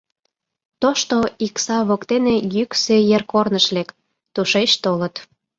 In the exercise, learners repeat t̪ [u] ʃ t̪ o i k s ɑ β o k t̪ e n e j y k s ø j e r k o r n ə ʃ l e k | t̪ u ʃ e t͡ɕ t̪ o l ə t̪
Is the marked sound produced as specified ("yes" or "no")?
no